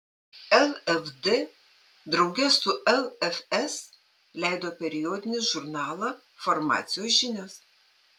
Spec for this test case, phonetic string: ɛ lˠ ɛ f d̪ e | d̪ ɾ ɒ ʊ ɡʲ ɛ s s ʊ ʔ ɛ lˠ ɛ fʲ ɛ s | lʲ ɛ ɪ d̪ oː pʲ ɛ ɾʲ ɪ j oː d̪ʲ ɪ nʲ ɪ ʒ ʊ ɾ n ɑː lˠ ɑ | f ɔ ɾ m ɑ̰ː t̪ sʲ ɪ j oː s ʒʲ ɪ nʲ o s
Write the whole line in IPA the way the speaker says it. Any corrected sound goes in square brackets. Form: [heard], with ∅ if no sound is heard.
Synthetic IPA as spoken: ɛ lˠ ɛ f d̪ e | d̪ ɾ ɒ ʊ ɡʲ ɛ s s ʊ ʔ ɛ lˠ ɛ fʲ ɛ s | lʲ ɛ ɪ d̪ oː pʲ ɛ ɾʲ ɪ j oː d̪ʲ ɪ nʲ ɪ ʒ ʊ ɾ n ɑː lˠ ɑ | f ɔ ɾ m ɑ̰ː t̪ sʲ ɪ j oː s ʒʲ ɪ nʲ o s